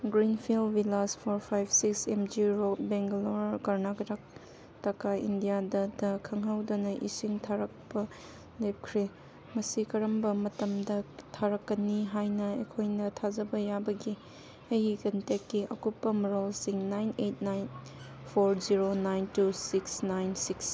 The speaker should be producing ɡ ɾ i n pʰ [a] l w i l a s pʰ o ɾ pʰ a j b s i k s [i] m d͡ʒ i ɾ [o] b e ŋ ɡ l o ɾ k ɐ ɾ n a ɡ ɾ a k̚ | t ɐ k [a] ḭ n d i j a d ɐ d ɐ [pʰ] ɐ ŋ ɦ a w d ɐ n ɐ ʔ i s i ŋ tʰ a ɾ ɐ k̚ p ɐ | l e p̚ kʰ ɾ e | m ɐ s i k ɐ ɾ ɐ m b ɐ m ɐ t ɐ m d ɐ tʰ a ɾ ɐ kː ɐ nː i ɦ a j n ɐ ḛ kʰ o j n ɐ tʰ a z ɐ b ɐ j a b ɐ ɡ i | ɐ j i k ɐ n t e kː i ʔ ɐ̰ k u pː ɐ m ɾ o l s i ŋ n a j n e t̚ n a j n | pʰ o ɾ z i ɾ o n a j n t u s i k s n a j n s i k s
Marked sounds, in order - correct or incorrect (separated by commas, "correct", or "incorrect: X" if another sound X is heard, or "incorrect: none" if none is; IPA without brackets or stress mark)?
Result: incorrect: i, incorrect: e, correct, correct, incorrect: kʰ